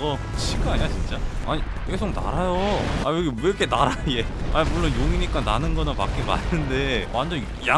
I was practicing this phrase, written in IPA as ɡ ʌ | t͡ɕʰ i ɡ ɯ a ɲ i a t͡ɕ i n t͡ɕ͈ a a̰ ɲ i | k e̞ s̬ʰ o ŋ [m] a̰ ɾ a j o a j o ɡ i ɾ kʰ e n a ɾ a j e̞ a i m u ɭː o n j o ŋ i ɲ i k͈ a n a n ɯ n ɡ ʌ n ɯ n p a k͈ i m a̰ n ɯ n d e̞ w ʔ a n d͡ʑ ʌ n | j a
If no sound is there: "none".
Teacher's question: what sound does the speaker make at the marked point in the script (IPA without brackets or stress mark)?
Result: n